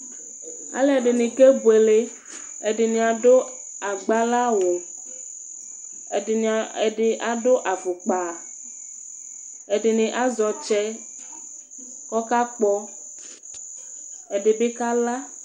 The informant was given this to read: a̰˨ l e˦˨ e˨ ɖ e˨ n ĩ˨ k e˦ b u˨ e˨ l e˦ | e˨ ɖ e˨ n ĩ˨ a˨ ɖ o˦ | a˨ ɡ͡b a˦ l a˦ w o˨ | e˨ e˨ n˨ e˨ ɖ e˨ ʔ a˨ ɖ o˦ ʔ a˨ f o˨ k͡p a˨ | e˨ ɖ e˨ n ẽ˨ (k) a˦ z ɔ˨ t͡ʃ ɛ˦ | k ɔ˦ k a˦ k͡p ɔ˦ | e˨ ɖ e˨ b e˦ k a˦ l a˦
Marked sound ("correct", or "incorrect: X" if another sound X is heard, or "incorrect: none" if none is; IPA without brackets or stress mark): incorrect: ʔ